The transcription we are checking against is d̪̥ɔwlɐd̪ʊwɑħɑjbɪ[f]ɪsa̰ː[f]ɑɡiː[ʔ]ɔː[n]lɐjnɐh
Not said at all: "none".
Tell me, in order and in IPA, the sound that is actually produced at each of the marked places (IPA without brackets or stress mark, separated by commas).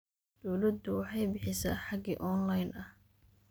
ħ, ħ, ʔ, n